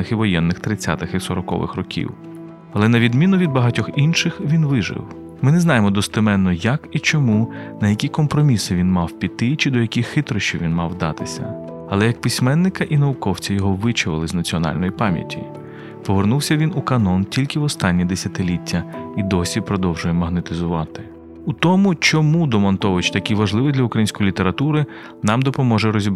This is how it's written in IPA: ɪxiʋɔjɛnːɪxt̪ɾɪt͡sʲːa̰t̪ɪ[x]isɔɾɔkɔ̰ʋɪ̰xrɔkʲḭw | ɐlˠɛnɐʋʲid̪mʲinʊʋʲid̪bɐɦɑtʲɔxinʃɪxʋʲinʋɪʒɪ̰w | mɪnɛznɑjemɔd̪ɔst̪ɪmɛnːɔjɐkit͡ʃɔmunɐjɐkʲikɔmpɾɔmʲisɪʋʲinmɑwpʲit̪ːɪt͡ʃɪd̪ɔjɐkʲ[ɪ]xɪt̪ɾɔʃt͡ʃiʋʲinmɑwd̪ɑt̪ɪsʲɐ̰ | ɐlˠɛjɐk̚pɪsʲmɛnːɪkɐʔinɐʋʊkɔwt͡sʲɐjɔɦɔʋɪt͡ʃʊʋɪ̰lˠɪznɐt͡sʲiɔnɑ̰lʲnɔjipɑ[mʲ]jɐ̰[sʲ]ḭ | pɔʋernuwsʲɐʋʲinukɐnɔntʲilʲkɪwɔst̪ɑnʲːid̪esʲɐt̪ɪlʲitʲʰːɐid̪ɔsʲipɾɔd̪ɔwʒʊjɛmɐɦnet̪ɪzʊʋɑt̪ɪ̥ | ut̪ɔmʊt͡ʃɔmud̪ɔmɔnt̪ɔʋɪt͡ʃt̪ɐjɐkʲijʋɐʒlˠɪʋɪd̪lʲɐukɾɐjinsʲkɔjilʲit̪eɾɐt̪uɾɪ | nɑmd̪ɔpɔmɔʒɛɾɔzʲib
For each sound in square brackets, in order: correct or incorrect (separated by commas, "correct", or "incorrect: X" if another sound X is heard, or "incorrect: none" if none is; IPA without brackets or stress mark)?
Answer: correct, incorrect: i, correct, incorrect: tʲ